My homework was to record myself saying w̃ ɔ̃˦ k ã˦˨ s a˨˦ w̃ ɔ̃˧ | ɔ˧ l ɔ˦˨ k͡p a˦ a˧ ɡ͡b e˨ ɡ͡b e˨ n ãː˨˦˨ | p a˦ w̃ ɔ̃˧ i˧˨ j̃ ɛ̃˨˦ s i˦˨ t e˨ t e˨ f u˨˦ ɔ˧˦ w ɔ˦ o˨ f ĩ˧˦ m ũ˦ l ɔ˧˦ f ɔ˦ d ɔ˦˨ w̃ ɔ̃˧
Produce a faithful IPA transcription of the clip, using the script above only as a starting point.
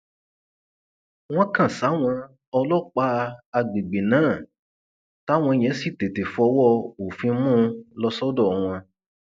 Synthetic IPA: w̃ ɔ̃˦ k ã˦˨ s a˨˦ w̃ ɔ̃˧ | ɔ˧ l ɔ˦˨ k͡p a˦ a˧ ɡ͡b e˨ ɡ͡b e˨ n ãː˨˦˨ | t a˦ w̃ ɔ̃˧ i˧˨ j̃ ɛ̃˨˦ s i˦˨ t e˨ t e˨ f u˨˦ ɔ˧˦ w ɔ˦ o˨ f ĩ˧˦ m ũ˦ l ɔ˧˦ s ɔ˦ d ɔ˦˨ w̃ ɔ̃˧